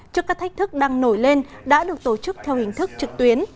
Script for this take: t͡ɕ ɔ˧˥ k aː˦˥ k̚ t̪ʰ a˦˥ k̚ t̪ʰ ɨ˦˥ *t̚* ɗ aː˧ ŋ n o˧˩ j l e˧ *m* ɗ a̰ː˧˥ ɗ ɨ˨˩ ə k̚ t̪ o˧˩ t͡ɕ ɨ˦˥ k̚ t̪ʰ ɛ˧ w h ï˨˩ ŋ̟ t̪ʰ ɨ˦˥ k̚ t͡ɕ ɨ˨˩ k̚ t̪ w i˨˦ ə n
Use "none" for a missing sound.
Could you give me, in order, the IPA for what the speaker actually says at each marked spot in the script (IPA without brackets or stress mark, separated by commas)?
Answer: k̚, n